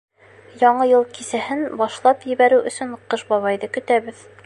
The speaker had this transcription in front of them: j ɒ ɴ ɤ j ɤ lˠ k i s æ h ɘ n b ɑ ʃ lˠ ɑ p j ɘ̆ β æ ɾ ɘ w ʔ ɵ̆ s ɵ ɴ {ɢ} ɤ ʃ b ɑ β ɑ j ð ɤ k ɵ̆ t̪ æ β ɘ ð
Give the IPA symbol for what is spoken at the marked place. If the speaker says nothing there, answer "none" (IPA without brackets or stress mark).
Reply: q